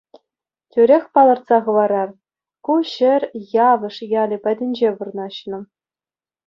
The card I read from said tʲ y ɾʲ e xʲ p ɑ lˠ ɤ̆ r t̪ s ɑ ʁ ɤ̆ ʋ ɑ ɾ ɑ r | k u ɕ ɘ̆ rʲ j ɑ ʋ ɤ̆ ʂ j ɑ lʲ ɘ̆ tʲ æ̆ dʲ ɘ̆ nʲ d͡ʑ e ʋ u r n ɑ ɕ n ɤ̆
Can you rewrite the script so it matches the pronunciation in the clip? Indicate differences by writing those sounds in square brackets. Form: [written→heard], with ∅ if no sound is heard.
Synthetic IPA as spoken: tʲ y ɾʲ e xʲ p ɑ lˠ ɤ̆ r t̪ s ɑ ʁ ɤ̆ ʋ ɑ ɾ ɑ r | k u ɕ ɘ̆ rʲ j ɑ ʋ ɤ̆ ʂ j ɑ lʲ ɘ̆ [tʲ→pʲ] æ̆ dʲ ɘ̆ nʲ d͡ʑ e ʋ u r n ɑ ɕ n ɤ̆